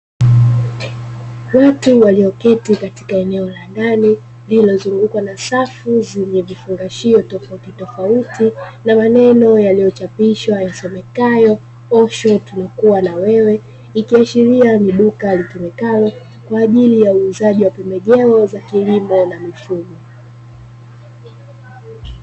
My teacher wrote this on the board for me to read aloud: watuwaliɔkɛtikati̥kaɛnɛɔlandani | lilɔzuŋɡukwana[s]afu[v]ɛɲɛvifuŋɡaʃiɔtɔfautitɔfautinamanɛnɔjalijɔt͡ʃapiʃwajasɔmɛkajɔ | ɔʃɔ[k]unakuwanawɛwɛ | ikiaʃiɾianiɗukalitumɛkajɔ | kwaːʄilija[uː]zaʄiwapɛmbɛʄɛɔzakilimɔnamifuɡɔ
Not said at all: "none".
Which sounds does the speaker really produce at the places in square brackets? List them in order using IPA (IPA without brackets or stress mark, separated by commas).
s, z, t, uː